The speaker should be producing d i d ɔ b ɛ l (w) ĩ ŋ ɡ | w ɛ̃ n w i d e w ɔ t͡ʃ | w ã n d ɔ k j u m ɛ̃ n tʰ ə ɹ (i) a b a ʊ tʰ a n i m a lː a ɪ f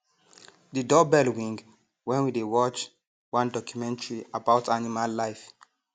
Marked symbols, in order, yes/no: yes, yes

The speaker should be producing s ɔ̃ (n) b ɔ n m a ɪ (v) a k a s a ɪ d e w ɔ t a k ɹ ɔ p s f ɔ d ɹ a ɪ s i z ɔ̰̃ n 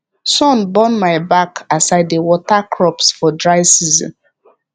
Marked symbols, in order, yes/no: yes, no

